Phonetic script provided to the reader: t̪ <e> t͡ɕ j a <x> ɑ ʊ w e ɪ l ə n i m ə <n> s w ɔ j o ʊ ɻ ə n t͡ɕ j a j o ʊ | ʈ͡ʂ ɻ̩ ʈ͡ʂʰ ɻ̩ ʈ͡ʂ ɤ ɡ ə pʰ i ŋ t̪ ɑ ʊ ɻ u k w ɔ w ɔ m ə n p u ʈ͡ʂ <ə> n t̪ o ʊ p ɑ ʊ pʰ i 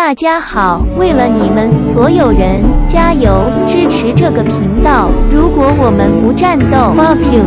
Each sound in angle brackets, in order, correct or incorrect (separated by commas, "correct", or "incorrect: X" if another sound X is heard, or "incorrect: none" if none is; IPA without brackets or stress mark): incorrect: a, correct, correct, incorrect: a